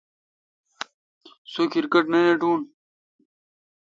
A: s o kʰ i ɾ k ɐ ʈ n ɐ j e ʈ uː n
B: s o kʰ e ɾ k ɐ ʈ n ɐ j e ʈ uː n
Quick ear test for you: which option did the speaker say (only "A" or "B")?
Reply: A